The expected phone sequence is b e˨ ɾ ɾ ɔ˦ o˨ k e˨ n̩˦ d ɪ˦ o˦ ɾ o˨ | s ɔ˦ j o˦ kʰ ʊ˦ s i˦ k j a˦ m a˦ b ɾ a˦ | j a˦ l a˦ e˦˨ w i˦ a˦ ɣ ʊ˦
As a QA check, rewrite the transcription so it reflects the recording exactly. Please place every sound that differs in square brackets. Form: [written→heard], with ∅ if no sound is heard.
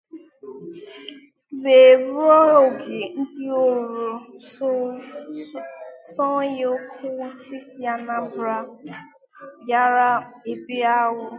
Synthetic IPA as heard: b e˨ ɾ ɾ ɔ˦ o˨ [k→ɡ] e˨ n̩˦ d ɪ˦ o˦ ɾ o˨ | s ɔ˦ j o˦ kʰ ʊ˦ s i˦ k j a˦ [m→n] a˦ b ɾ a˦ | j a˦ [l→ɾ] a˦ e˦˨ [w→b] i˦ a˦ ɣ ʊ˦